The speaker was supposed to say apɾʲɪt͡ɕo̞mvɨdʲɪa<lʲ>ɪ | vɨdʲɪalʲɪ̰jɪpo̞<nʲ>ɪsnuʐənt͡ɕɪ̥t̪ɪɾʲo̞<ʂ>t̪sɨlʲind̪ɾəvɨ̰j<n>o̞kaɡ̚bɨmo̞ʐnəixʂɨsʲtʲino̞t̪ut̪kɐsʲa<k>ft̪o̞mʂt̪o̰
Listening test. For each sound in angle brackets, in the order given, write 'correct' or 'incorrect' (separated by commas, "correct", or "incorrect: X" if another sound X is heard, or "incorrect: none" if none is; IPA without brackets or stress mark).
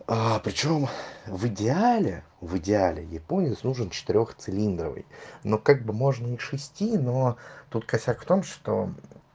correct, correct, incorrect: x, correct, correct